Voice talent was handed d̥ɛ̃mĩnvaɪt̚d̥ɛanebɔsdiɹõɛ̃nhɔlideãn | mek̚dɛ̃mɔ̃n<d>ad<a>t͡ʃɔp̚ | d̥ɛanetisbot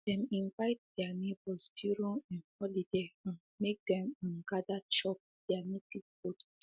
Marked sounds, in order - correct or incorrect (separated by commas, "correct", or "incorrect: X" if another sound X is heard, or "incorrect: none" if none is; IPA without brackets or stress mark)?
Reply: incorrect: ɡ, correct